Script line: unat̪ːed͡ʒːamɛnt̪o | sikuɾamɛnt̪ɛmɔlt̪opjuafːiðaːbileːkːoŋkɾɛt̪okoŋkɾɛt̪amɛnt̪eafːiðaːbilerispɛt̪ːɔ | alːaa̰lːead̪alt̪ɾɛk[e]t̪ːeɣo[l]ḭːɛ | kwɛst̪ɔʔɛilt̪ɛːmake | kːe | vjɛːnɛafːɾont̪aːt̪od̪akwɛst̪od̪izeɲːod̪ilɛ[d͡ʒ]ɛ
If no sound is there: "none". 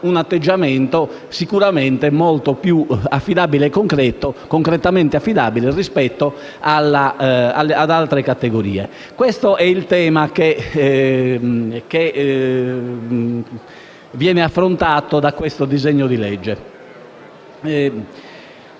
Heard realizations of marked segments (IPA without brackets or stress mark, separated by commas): a, ɾ, d͡ʒː